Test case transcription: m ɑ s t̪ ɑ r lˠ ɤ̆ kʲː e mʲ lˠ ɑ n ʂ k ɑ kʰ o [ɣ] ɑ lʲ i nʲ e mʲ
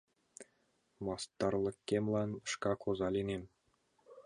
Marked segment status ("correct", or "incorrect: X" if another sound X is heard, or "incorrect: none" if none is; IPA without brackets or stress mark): incorrect: z